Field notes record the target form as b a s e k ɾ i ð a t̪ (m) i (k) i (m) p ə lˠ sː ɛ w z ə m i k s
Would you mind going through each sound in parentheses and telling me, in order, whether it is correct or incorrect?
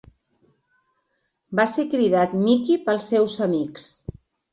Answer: correct, correct, incorrect: none

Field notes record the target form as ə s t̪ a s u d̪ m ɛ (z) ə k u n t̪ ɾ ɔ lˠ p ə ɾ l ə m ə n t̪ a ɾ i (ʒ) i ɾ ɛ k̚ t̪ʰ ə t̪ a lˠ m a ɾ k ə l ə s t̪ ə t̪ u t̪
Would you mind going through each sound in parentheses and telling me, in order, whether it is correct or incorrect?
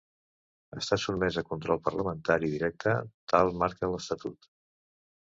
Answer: correct, incorrect: ð

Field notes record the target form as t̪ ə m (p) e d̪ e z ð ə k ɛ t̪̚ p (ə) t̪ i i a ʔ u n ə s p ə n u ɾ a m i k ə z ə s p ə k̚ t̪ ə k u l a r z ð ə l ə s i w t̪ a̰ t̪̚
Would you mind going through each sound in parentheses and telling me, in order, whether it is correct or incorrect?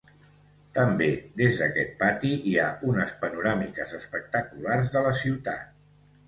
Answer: incorrect: b, incorrect: a

